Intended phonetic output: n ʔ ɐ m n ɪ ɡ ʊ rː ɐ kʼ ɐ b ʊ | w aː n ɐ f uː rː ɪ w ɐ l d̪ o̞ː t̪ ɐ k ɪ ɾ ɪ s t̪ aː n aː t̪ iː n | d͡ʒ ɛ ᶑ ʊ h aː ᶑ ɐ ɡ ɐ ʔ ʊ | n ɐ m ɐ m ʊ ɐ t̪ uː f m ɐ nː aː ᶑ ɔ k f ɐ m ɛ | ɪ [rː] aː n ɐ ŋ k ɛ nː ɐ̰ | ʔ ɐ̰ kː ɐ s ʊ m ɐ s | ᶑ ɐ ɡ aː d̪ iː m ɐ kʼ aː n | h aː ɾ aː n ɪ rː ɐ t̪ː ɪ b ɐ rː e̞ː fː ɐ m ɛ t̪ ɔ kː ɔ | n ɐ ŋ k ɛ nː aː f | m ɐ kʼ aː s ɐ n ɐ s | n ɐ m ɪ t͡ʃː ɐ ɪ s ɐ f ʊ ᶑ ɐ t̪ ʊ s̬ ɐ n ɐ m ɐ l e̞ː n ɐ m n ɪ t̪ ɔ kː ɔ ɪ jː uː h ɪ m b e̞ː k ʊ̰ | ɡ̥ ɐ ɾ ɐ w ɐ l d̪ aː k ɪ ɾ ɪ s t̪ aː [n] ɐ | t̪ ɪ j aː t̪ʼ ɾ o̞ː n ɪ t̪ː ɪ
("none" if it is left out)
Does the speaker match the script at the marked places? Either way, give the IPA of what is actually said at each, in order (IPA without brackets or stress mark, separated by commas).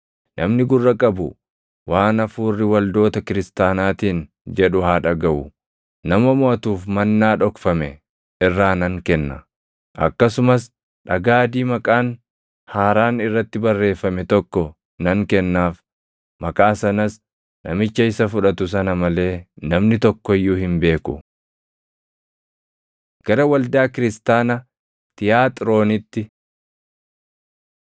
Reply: rː, n